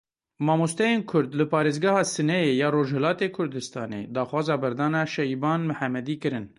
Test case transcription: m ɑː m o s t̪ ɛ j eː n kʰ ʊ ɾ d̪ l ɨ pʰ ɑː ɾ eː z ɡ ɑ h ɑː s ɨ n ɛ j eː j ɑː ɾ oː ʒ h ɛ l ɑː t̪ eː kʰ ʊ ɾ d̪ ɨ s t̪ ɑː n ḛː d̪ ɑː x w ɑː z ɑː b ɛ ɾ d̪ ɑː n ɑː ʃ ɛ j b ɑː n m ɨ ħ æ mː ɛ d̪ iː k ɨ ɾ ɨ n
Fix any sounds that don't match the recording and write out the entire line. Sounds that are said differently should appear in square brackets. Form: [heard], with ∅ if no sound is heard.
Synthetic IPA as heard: m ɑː m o s t̪ ɛ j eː n kʰ ʊ ɾ d̪ l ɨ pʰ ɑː ɾ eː z ɡ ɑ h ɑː s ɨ n ɛ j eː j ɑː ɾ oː ʒ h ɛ l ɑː t̪ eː kʰ ʊ ɾ d̪ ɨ s t̪ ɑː n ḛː d̪ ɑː x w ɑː z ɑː b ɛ ɾ d̪ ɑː n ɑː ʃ ɛ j b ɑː n m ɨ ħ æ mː ɛ d̪ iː k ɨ ɾ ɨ n